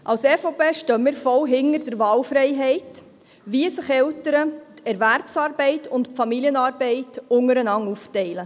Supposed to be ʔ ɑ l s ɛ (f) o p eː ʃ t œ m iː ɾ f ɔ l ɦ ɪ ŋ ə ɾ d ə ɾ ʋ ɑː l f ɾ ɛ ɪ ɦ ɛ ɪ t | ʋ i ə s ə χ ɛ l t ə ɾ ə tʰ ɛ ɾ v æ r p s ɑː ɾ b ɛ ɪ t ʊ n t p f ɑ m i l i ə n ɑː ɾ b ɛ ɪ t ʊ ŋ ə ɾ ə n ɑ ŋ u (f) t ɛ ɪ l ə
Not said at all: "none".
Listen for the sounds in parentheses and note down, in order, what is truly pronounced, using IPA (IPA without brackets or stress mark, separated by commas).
f, f